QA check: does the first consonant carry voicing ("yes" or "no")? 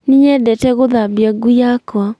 yes